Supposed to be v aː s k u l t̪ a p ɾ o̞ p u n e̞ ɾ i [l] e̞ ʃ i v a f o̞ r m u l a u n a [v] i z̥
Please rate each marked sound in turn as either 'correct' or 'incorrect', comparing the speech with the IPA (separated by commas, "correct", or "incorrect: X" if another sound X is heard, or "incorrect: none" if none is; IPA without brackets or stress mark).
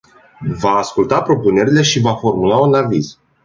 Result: correct, correct